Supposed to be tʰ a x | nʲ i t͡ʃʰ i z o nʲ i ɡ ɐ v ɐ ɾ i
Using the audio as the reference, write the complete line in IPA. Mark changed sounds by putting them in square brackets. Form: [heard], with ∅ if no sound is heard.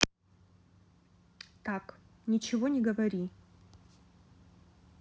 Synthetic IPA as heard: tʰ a [k] | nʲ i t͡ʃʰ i [v] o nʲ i ɡ ɐ v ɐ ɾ i

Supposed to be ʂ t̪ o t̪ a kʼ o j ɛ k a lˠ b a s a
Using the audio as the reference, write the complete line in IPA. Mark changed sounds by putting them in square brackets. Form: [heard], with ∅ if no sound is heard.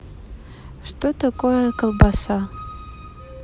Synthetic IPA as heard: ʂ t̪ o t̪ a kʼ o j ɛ k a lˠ b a s a

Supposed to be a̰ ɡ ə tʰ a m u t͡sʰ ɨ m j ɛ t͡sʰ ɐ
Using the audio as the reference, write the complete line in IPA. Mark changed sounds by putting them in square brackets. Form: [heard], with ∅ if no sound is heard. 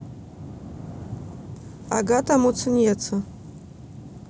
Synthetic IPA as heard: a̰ ɡ [a] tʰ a m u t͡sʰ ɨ [n] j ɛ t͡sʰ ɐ

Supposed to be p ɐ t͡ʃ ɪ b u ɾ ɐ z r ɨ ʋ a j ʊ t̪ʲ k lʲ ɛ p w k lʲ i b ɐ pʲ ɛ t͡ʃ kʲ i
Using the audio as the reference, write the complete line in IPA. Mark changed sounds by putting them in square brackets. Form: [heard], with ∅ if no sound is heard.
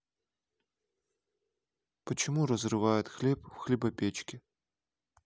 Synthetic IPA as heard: p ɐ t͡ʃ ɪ [m] u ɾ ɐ z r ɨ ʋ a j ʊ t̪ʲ [x] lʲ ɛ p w [x] lʲ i b ɐ pʲ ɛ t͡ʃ kʲ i

